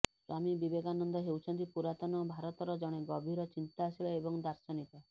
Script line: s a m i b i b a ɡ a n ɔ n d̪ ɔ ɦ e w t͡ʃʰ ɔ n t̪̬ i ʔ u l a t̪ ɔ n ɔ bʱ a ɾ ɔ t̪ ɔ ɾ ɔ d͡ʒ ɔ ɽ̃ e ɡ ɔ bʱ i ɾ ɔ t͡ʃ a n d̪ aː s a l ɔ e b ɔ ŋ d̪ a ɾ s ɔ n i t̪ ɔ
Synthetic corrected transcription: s a m i b i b e ɡ a n ɔ n d̪ ɔ ɦ e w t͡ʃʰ ɔ n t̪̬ i p u ɾ a t̪ ɔ n ɔ bʱ a ɾ ɔ t̪ ɔ ɾ ɔ d͡ʒ ɔ ɽ̃ e ɡ ɔ bʱ i ɾ ɔ t͡ʃ i n t̪ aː s i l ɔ e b ɔ ŋ d̪ a ɾ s ɔ n i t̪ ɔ